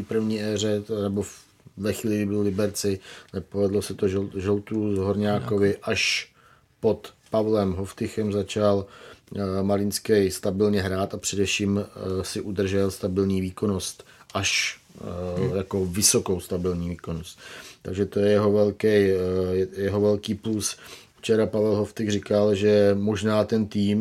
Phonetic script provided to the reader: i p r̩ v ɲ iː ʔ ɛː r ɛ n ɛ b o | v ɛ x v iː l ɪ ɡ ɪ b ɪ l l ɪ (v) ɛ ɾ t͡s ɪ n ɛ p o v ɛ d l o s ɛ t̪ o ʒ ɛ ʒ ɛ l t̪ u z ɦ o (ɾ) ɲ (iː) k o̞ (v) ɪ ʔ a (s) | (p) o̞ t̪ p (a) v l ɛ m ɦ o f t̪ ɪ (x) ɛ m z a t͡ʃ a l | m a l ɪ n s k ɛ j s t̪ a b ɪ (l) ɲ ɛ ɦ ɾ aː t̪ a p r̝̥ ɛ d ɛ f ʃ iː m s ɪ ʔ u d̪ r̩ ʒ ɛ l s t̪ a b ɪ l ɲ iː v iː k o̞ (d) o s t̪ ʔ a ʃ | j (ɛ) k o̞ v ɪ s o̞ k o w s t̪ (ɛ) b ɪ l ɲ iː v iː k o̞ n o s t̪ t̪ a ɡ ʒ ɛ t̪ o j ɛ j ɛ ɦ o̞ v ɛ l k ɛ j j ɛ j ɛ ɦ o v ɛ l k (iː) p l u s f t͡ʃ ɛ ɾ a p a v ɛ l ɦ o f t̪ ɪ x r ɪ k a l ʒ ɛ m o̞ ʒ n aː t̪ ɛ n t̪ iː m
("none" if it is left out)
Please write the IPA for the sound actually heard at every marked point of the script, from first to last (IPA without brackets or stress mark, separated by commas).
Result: b, ɾ, aː, v, ʃ, p, a, x, l, n, a, a, iː